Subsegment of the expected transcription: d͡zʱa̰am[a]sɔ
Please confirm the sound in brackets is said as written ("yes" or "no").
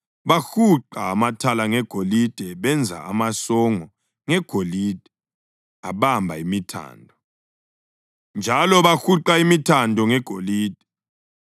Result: yes